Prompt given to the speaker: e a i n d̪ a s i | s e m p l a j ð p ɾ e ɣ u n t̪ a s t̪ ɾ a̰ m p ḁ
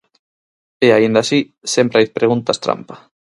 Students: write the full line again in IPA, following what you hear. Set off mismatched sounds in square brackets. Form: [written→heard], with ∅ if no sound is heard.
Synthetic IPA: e a i n d̪ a s i | s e m p [l→ɾ] a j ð p ɾ e ɣ u n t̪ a s t̪ ɾ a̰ m p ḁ